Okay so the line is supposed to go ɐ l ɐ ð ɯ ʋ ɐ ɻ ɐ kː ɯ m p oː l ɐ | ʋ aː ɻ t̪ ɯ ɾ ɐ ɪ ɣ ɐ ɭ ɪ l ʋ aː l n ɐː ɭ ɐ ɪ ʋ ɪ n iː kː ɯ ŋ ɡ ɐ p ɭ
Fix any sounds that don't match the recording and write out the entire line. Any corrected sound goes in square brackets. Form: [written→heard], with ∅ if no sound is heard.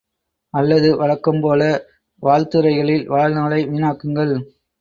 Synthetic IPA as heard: ɐ [l→lː] ɐ ð ɯ ʋ ɐ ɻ ɐ kː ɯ m p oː l ɐ | ʋ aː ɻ t̪ ɯ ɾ ɐ ɪ ɣ ɐ ɭ ɪ l ʋ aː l n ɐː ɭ ɐ ɪ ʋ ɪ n [iː→aː] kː ɯ ŋ ɡ ɐ [p→∅] ɭ